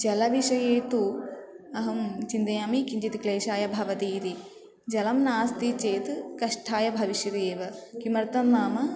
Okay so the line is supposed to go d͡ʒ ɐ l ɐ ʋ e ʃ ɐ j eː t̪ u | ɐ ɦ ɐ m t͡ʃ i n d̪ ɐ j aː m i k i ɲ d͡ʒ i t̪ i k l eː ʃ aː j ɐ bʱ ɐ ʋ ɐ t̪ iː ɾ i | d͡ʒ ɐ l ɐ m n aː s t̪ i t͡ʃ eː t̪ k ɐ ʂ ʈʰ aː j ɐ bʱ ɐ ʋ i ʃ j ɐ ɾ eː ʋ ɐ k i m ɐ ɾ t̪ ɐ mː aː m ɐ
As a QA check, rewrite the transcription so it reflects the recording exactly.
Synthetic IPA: d͡ʒ ɐ l ɐ ʋ i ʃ ɐ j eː t̪ u | ɐ ɦ ɐ m t͡ʃ i n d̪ ɐ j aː m i k i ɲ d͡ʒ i t̪ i k l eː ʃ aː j ɐ bʱ ɐ ʋ ɐ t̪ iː ɾ i | d͡ʒ ɐ l ɐ m n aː s t̪ i t͡ʃ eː t̪ k ɐ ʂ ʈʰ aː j ɐ bʱ ɐ ʋ i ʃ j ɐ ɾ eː ʋ ɐ k i m ɐ ɾ t̪ ɐ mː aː m ɐ

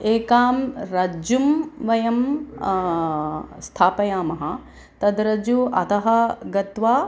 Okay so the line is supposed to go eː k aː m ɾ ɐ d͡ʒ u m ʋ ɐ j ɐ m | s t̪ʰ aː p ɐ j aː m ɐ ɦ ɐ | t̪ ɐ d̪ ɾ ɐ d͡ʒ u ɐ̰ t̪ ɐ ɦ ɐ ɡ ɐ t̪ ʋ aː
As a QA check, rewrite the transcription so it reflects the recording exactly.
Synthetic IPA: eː k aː m ɾ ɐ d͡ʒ u m ʋ ɐ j ɐ m | s t̪ʰ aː p ɐ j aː m ɐ ɦ ɐ | t̪ ɐ d̪ ɾ ɐ d͡ʒ u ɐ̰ t̪ ɐ ɦ ɐ ɡ ɐ t̪ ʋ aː

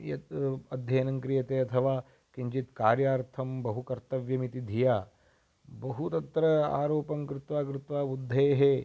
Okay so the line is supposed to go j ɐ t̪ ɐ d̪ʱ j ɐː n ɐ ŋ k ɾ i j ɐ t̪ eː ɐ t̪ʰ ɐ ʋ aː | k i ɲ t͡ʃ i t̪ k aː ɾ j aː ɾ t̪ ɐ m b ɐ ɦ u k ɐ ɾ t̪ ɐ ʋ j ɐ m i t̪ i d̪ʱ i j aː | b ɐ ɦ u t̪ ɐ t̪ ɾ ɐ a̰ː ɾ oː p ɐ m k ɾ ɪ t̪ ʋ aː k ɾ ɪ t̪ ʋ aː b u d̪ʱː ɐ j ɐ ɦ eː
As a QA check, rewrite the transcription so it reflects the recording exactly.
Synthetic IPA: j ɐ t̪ ɐ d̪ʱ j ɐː n ɐ ŋ k ɾ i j ɐ t̪ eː ɐ t̪ʰ ɐ ʋ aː | k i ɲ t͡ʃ i t̪ k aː ɾ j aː ɾ t̪ʰ ɐ m b ɐ ɦ u k ɐ ɾ t̪ ɐ ʋ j ɐ m i t̪ i d̪ʱ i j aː | b ɐ ɦ u t̪ ɐ t̪ ɾ ɐ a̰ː ɾ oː p ɐ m k ɾ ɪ t̪ ʋ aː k ɾ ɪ t̪ ʋ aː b u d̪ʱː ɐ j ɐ ɦ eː

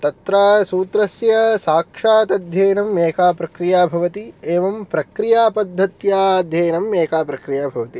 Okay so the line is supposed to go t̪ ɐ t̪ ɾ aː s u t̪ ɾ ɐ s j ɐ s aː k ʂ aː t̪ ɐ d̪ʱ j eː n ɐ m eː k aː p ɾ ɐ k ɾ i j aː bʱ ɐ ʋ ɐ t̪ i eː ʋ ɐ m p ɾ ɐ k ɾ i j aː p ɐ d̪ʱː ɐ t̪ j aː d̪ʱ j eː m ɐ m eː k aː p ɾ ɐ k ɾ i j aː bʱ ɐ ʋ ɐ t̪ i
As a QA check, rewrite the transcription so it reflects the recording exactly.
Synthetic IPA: t̪ ɐ t̪ ɾ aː s uː t̪ ɾ ɐ s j ɐ s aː k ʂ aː t̪ ɐ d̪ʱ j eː n ɐ m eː k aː p ɾ ɐ k ɾ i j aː bʱ ɐ ʋ ɐ t̪ i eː ʋ ɐ m p ɾ ɐ k ɾ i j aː p ɐ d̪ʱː ɐ t̪ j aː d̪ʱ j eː n ɐ m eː k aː p ɾ ɐ k ɾ i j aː bʱ ɐ ʋ ɐ t̪ i

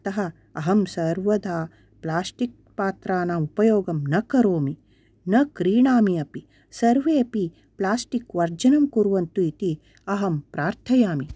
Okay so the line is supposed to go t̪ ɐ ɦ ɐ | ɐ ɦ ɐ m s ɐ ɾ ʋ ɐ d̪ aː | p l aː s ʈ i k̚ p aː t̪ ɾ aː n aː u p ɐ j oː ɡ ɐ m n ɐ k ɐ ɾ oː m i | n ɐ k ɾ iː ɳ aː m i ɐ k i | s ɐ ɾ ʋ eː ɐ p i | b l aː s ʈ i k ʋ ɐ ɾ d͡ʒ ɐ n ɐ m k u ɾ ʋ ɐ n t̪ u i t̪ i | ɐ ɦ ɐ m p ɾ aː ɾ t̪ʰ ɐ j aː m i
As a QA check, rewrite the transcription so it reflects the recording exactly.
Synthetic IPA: t̪ ɐ ɦ ɐ | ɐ ɦ ɐ m s ɐ ɾ ʋ ɐ d̪ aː | p l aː s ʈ i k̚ p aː t̪ ɾ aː n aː u p ɐ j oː ɡ ɐ m n ɐ k ɐ ɾ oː m i | n ɐ k ɾ iː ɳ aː m i ɐ p i | s ɐ ɾ ʋ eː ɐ p i | p l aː s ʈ i k ʋ ɐ ɾ d͡ʒ ɐ n ɐ m k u ɾ ʋ ɐ n t̪ u i t̪ i | ɐ ɦ ɐ m p ɾ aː ɾ t̪ʰ ɐ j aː m i

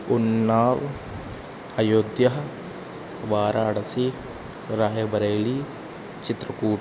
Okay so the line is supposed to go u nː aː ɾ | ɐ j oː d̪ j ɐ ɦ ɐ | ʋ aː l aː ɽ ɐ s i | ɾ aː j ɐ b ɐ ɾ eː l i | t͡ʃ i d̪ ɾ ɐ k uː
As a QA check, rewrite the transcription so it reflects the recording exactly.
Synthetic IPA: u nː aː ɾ | ɐ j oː d̪ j ɐ ɦ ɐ | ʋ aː ɾ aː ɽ ɐ s i | ɾ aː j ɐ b ɐ ɾ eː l i | t͡ʃ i t̪ ɾ ɐ k uː

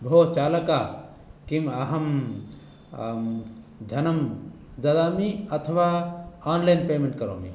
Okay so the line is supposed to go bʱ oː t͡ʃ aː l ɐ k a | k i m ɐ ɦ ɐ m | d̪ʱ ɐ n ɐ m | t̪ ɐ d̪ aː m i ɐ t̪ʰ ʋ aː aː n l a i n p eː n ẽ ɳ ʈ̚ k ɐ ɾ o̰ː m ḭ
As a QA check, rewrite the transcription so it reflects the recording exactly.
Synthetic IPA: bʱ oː t͡ʃ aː l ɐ k a | k i m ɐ ɦ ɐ m | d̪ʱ ɐ n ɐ m | d̪ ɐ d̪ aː m i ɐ t̪ʰ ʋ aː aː n l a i n p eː m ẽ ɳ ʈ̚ k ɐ ɾ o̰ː m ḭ

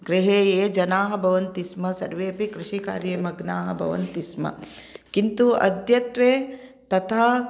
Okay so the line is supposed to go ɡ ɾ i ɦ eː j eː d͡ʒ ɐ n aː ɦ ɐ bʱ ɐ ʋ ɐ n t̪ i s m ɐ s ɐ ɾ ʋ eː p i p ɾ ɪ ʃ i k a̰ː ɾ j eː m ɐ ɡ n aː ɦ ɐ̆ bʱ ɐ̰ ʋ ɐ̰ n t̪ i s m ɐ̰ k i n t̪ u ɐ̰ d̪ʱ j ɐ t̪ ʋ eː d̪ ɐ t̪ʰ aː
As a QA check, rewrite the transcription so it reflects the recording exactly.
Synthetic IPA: ɡ ɾ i ɦ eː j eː d͡ʒ ɐ n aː ɦ ɐ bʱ ɐ ʋ ɐ n t̪ i s m ɐ s ɐ ɾ ʋ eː p i k ɾ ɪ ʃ i k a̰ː ɾ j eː m ɐ ɡ n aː ɦ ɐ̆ bʱ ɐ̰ ʋ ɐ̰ n t̪ i s m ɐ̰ k i n t̪ u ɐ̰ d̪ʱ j ɐ t̪ ʋ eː t̪ ɐ t̪ʰ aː

